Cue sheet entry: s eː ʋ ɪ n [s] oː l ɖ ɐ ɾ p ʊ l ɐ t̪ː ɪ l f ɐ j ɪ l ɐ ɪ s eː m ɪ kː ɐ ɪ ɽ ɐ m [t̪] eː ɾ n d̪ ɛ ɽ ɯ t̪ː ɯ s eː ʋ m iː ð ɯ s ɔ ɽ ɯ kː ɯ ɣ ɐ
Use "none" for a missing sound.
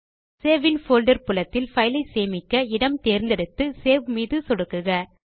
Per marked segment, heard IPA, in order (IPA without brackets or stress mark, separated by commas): f, t̪